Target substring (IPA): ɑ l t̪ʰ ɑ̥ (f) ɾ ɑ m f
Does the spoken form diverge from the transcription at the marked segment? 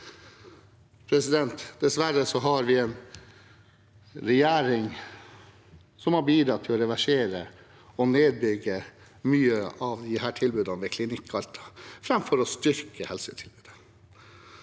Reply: no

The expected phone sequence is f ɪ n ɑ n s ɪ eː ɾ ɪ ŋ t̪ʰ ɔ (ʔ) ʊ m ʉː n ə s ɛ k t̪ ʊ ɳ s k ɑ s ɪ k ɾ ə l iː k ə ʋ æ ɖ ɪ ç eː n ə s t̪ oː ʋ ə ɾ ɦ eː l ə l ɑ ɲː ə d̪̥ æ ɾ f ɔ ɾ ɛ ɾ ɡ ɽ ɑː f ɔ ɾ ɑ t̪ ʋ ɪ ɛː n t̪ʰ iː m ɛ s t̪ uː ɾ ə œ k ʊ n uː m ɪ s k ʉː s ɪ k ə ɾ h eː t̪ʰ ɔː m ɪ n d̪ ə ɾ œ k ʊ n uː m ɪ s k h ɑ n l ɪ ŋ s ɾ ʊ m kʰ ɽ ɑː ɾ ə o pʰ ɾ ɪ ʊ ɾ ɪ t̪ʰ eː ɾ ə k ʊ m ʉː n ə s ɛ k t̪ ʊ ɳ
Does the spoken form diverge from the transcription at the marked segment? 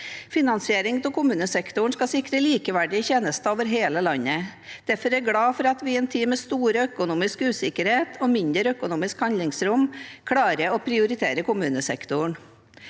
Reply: yes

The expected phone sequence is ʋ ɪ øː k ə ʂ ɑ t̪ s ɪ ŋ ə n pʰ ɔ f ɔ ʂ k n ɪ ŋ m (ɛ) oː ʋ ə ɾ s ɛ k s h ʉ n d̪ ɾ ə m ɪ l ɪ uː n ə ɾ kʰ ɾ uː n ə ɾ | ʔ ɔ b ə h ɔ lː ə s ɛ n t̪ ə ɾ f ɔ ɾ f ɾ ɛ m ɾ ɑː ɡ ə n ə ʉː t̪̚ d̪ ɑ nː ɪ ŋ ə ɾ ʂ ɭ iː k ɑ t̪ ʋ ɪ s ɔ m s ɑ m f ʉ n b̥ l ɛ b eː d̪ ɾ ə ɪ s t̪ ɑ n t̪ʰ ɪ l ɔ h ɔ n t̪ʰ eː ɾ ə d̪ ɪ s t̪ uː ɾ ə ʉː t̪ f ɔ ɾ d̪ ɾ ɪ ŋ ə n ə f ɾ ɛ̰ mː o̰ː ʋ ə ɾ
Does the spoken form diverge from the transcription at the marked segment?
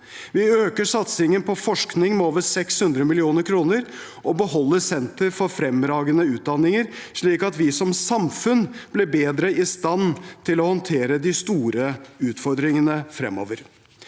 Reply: no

